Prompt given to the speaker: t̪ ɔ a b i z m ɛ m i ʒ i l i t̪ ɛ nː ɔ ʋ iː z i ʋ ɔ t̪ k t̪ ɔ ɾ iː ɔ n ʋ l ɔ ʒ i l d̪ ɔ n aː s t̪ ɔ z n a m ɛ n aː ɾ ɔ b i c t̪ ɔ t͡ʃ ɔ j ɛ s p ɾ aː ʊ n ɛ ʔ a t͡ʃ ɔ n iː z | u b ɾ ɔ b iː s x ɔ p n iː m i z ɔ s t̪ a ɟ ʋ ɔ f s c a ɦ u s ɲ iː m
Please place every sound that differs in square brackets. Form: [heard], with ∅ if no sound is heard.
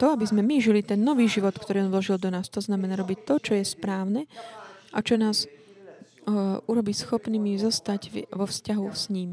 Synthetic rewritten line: t̪ ɔ a b i z m ɛ m i ʒ i l i t̪ ɛ nː ɔ ʋ iː [ʒ] i ʋ ɔ t̪ k t̪ ɔ ɾ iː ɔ n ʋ l ɔ ʒ i l d̪ ɔ n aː s t̪ ɔ z n a m ɛ n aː ɾ ɔ b i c t̪ ɔ t͡ʃ ɔ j ɛ s p ɾ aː ʊ n ɛ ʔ a t͡ʃ ɔ n [aː] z | u [∅] ɾ ɔ b iː s x ɔ p n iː m i z ɔ s t̪ a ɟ ʋ ɔ f s c a ɦ u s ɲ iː m